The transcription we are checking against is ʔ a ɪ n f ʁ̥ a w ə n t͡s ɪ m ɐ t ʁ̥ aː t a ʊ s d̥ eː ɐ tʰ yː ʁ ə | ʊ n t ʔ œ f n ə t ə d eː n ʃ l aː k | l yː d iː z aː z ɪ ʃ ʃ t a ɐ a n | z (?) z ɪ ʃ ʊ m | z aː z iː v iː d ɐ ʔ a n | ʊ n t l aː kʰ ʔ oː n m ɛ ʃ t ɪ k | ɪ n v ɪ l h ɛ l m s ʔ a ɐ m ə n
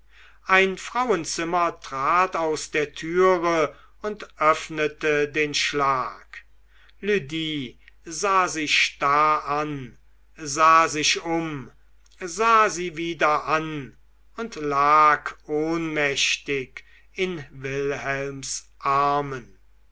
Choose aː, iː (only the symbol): aː